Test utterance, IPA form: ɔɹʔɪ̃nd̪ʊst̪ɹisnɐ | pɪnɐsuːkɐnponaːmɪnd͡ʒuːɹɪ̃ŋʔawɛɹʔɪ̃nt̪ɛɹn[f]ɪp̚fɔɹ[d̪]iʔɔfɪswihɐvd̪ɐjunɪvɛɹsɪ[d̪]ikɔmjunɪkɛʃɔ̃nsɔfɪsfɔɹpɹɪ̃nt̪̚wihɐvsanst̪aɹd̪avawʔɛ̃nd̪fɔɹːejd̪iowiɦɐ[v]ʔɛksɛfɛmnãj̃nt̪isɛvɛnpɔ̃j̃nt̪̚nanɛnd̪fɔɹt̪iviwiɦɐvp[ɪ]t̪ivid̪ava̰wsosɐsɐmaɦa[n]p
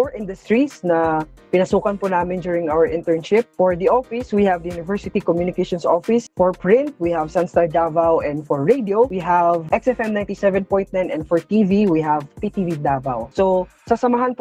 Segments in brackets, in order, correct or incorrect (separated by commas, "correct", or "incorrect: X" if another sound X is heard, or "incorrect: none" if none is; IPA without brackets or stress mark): incorrect: ʃ, correct, incorrect: t̪, correct, incorrect: i, correct